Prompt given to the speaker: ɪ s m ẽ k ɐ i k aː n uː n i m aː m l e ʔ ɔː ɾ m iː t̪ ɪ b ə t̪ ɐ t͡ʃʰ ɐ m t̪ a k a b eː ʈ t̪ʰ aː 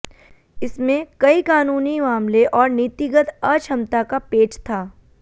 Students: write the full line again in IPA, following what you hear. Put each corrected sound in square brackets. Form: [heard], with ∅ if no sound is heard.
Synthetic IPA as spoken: ɪ s m ẽ k ɐ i k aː n uː n i m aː m l e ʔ ɔː ɾ [n] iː t̪ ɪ [ɡ] ə t̪ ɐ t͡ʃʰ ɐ m t̪ a k a [p] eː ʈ t̪ʰ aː